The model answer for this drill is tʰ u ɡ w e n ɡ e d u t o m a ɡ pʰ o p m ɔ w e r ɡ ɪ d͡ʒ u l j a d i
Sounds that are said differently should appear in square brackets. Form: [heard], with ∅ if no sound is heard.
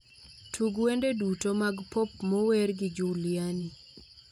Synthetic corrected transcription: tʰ u ɡ w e n [d] e d u t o m a ɡ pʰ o p m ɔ w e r ɡ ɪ d͡ʒ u l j a [n] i